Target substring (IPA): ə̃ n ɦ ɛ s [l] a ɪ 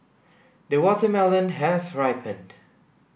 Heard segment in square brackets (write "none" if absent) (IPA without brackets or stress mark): ɹ